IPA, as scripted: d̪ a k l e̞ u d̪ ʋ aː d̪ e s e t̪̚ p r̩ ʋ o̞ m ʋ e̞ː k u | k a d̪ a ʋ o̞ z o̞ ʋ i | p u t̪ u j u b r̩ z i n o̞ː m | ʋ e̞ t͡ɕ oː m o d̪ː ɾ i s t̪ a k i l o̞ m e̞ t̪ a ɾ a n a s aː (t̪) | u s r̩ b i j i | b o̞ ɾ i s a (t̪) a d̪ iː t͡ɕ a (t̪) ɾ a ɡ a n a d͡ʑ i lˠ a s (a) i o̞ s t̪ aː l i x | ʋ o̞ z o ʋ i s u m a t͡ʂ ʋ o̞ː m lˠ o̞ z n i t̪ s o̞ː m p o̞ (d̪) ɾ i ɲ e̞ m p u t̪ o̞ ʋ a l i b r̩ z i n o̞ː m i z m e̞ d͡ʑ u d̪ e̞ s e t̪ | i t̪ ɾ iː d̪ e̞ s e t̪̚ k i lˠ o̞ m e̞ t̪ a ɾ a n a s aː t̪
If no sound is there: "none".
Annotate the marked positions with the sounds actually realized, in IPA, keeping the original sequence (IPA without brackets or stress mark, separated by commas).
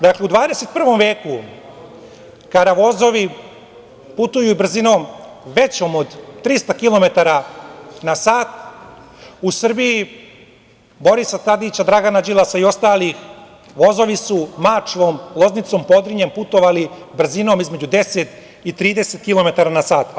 t̪, t̪, d̪, a, d̪